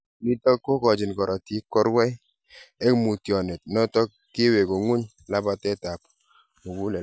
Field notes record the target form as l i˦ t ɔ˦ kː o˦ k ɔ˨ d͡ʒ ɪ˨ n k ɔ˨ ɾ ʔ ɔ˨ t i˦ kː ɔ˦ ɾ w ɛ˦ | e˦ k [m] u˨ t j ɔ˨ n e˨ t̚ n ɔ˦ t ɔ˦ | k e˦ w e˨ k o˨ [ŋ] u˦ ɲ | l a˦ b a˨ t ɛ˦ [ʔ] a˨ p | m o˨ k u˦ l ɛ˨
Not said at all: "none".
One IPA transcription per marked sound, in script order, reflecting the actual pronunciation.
m, ŋ, t

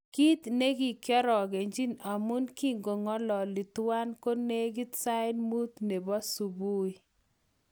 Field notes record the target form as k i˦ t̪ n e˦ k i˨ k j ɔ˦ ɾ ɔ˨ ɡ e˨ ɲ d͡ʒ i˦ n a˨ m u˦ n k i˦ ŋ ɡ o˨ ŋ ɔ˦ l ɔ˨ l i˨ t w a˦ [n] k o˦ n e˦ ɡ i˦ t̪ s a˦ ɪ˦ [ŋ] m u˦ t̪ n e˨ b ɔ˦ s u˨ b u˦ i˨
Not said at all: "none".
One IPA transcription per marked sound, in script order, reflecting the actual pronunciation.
n, n

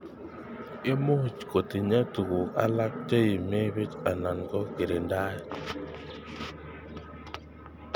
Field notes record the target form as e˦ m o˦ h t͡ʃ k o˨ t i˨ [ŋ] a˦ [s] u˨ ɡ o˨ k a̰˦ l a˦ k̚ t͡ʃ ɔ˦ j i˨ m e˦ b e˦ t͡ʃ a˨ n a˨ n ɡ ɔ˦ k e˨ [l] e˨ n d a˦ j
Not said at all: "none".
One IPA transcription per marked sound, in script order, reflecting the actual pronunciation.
ɲ, t, ɾ

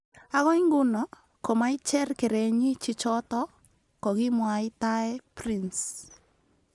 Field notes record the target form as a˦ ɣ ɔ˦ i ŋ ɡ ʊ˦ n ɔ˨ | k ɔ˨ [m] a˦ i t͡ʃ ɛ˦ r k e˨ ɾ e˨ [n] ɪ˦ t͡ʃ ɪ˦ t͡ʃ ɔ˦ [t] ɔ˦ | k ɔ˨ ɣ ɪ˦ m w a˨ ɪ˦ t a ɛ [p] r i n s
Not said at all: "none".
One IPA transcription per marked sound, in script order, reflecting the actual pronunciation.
m, ɲ, t, p

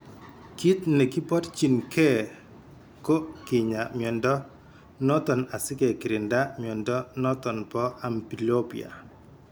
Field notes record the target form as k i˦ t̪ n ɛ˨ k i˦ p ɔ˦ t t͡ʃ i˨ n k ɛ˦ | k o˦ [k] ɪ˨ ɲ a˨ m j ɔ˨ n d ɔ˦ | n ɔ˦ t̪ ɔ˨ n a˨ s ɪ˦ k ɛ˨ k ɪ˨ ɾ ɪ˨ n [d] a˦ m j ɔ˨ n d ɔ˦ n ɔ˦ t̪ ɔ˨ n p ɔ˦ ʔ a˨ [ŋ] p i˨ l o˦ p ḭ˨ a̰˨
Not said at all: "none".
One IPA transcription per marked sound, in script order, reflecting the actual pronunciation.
k, d, m

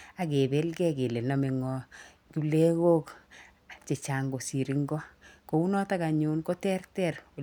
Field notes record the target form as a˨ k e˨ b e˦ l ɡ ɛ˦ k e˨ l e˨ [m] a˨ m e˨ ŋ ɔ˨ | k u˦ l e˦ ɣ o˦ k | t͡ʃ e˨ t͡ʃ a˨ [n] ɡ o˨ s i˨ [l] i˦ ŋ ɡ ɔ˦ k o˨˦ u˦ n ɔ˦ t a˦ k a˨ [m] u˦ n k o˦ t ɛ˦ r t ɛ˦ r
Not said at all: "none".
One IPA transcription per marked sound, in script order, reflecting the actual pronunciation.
n, ŋ, ɾ, ɲ

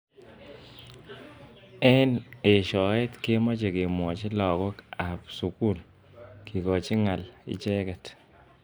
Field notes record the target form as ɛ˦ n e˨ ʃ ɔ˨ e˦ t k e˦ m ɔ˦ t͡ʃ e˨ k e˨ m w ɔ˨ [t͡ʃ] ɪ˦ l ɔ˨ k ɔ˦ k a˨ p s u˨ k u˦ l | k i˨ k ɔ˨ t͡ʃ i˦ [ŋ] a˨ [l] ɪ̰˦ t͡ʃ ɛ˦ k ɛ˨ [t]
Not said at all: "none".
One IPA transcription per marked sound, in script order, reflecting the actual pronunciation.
t͡ʃ, ŋ, l, t

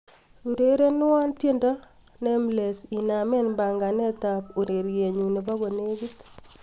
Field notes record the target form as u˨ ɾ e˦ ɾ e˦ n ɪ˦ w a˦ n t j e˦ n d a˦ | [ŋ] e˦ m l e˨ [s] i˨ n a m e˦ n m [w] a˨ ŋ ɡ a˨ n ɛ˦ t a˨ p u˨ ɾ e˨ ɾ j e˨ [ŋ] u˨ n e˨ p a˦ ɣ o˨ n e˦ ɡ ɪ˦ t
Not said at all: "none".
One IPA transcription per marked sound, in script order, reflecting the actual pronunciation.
n, s, b, ɲ

